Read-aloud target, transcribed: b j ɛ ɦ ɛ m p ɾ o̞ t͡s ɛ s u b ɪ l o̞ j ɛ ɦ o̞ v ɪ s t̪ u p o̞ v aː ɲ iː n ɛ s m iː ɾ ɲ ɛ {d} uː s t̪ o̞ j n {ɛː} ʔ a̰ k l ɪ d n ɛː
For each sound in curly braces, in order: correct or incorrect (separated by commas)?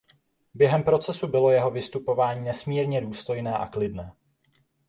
correct, correct